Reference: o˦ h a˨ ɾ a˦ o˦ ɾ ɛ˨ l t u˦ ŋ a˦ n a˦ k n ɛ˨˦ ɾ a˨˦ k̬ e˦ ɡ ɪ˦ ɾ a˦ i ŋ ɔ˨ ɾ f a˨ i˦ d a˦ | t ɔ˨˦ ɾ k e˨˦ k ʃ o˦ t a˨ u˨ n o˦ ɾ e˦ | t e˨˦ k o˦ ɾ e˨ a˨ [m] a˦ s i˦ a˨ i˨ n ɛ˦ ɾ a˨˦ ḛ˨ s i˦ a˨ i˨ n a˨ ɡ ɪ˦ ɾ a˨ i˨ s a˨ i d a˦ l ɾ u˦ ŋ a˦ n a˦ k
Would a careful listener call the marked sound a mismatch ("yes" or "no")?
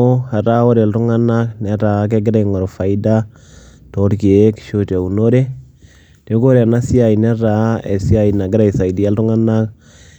yes